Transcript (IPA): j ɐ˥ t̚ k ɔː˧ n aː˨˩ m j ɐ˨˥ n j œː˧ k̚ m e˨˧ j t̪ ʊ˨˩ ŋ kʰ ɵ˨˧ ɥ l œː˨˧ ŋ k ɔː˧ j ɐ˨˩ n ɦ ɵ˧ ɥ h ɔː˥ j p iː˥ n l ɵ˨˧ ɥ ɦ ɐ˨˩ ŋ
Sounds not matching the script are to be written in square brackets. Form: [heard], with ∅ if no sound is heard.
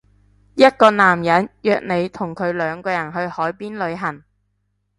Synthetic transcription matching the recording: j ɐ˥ t̚ k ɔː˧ n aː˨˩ m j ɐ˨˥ n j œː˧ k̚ [n] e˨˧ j [t̪ʰ] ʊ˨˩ ŋ kʰ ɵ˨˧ ɥ l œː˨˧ ŋ k ɔː˧ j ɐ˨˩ n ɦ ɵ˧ ɥ h [ɔː˨˥] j p iː˥ n l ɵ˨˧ ɥ ɦ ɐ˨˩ ŋ